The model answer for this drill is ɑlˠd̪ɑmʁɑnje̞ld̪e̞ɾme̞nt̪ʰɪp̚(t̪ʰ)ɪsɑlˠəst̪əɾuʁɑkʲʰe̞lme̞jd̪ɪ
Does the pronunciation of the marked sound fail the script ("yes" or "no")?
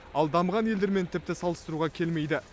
yes